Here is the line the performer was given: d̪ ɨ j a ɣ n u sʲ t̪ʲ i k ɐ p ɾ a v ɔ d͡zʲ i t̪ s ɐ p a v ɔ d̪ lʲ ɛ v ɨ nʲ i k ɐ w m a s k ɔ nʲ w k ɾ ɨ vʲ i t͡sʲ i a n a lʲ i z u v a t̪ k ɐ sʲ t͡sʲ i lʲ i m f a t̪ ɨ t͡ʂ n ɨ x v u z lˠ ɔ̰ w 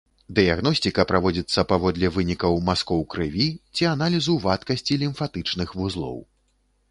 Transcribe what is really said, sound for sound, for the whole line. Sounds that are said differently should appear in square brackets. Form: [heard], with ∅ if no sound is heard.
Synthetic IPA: d̪ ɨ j a ɣ n [ɔ] sʲ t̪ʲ i k ɐ p ɾ a v ɔ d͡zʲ i t̪ [sː] ɐ p a v ɔ d̪ lʲ ɛ v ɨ nʲ i k ɐ w m a s k ɔ [∅] w k ɾ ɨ vʲ i t͡sʲ i a n a lʲ i z u v a t̪ k ɐ sʲ t͡sʲ i lʲ i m f a t̪ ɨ t͡ʂ n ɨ x v u z lˠ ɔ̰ w